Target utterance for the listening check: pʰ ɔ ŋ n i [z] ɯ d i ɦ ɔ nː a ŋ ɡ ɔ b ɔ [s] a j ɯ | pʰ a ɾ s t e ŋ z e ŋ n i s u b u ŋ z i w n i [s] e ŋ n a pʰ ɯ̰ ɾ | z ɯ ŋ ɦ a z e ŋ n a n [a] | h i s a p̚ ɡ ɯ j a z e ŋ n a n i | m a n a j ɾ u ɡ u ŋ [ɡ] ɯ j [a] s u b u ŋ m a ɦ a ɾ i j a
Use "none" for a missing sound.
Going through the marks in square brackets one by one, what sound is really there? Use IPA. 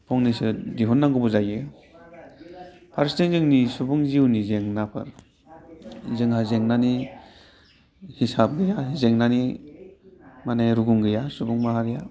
s, z, z, i, ɡ, a

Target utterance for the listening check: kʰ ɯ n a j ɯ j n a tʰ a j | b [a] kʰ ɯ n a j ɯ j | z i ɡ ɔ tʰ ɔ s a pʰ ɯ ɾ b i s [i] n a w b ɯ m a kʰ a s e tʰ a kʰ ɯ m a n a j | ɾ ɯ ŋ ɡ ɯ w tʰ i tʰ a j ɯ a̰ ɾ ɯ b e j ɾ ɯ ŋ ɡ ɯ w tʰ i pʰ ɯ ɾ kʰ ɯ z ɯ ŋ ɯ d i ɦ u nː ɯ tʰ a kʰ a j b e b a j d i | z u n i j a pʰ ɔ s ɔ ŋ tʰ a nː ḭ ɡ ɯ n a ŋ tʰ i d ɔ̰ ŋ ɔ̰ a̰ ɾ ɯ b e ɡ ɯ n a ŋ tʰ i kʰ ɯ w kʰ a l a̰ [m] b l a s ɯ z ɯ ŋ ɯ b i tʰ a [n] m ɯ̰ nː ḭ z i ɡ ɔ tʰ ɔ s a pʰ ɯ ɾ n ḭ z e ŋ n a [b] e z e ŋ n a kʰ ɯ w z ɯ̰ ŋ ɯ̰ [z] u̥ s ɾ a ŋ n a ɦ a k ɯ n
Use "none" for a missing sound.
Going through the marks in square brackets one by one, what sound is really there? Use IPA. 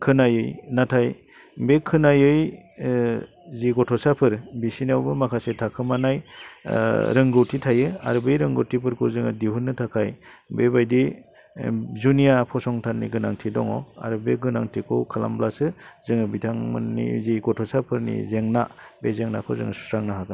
e, i, m, ŋ, b, s

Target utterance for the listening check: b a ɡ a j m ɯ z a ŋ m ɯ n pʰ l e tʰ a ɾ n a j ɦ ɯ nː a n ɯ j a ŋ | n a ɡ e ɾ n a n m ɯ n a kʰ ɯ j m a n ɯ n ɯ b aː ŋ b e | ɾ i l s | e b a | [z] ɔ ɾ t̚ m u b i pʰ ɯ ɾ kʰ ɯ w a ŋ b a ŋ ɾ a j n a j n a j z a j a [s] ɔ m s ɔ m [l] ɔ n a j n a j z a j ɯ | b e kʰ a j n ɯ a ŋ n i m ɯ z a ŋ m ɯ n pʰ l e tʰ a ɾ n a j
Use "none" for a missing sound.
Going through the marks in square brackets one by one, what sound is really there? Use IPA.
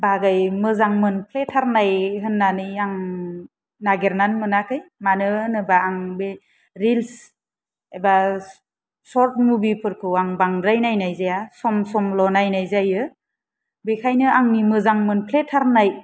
s, s, l

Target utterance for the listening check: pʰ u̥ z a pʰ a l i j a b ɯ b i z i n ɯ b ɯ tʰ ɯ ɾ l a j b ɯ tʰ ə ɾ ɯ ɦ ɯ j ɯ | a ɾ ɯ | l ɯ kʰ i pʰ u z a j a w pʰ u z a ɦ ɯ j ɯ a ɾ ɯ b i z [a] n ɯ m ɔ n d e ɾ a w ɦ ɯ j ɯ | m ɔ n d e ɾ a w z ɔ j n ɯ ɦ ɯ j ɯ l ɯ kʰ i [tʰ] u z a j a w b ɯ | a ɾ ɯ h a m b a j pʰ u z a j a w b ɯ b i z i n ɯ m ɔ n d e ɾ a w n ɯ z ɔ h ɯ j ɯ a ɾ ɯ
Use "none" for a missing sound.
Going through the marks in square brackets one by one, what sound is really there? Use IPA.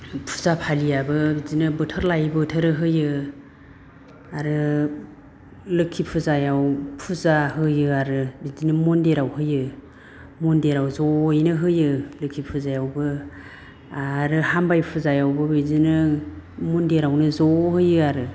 i, pʰ

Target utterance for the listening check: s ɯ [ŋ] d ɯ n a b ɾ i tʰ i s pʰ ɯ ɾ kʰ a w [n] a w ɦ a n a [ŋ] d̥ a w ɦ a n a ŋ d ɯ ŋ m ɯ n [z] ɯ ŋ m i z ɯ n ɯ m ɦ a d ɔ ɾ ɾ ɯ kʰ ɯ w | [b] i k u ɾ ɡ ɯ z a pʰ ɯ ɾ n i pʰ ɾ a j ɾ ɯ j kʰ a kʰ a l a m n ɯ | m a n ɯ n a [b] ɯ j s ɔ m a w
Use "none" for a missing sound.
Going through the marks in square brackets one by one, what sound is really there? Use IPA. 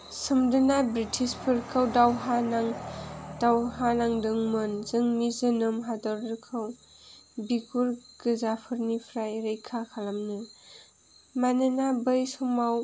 m, d, ŋ, z, b, b

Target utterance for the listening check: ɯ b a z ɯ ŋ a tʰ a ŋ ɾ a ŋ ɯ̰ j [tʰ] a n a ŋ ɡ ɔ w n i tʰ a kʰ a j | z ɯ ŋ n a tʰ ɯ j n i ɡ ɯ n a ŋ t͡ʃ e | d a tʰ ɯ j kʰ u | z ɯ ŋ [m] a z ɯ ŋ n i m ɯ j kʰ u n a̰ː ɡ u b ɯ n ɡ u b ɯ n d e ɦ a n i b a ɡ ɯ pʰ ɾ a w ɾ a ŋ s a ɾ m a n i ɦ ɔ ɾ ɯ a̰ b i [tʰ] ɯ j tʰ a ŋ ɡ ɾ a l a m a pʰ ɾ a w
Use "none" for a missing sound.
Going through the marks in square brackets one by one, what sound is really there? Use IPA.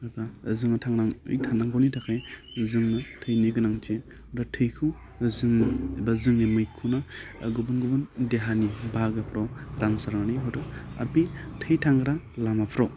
tʰ, b, tʰ

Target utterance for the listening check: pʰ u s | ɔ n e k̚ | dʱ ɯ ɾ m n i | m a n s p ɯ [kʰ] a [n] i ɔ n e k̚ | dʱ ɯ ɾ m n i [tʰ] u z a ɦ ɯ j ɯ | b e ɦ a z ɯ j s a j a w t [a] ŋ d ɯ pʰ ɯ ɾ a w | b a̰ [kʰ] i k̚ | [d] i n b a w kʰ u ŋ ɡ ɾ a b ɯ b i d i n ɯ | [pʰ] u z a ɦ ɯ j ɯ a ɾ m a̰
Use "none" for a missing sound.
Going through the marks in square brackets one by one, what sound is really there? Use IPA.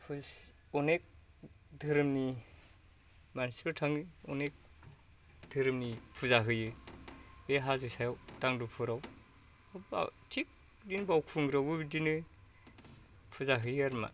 tʰ, ŋ, pʰ, a, tʰ, d, pʰ

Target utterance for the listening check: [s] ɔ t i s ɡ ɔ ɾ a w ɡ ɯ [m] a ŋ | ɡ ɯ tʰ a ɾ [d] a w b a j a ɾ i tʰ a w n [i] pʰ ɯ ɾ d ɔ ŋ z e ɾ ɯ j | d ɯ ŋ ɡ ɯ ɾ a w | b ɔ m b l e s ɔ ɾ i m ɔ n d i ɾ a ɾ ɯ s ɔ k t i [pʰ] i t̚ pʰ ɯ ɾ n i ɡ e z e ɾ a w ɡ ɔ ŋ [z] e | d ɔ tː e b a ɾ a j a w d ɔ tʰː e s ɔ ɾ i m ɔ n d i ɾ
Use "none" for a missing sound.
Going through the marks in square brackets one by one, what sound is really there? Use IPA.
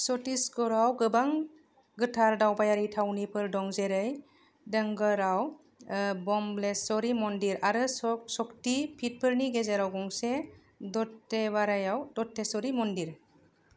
s, b, d, i, pʰ, s

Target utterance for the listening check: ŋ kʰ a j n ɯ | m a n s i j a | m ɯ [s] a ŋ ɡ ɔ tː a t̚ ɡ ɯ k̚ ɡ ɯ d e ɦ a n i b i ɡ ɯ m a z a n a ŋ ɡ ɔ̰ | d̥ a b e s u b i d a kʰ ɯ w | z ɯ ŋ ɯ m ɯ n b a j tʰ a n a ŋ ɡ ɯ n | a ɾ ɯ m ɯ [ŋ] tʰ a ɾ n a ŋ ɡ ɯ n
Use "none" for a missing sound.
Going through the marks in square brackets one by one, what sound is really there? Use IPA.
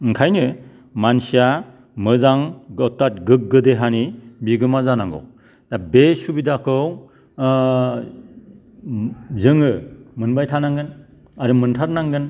z, n

